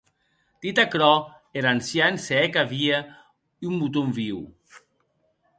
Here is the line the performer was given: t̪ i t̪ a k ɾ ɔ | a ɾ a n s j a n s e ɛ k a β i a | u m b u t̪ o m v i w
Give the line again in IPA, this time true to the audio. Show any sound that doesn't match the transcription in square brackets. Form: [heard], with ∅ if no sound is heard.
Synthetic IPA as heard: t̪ i t̪ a k ɾ ɔ | [e] ɾ a n s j a n s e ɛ k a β i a | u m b u t̪ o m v i w